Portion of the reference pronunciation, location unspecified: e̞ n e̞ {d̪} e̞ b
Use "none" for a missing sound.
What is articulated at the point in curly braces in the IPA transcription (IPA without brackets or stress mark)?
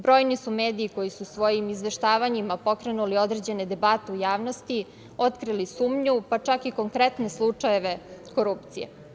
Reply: d̪